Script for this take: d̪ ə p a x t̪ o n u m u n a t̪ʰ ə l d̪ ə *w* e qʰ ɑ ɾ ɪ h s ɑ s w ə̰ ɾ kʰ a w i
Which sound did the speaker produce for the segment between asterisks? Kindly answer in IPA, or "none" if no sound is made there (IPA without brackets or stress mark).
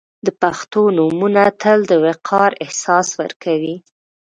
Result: w